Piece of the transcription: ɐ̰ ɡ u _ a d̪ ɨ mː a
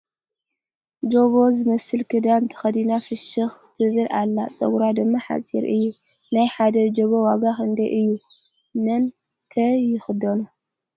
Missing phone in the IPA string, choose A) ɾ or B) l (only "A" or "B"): A